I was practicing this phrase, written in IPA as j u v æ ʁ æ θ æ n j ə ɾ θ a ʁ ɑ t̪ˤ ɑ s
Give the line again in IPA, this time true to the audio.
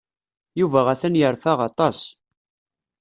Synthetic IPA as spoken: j u v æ ʁ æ θ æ n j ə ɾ f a ʁ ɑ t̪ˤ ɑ s